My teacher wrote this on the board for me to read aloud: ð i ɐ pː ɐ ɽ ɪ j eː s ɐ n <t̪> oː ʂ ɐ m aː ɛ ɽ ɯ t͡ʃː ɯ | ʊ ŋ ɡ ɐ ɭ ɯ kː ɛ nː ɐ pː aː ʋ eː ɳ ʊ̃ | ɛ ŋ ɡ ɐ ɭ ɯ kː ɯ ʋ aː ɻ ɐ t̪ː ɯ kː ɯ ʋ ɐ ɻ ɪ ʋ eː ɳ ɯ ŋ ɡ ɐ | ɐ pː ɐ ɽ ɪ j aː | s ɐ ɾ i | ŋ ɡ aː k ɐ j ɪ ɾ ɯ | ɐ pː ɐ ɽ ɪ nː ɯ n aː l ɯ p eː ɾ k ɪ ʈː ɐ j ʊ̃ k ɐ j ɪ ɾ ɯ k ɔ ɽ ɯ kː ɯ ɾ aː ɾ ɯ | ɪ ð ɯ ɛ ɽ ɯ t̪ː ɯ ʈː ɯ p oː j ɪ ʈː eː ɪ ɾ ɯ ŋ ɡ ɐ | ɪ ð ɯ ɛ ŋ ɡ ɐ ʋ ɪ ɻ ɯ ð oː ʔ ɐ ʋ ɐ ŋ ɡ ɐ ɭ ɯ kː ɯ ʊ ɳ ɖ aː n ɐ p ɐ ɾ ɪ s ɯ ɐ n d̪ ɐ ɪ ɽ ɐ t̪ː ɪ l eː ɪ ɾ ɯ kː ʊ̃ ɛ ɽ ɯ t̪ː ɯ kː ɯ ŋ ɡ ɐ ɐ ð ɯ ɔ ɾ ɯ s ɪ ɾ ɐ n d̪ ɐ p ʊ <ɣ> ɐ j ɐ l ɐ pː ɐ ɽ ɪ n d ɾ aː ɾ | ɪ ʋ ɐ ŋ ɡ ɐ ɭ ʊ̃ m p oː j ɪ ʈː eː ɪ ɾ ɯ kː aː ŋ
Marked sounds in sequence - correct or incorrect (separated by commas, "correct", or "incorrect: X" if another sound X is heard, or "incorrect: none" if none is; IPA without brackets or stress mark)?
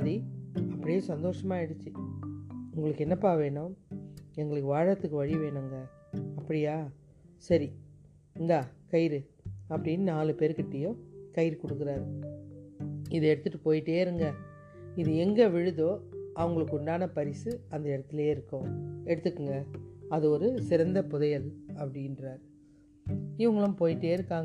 incorrect: d̪, incorrect: ð